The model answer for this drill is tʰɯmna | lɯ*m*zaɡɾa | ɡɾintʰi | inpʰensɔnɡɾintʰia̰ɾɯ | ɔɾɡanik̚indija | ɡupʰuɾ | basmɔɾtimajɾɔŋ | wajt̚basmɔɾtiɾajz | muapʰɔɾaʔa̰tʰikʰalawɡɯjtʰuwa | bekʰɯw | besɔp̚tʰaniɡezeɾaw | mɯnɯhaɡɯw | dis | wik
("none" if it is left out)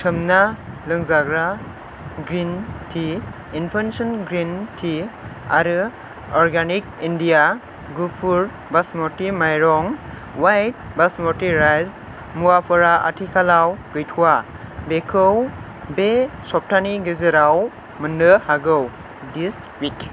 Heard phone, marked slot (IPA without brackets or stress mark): ŋ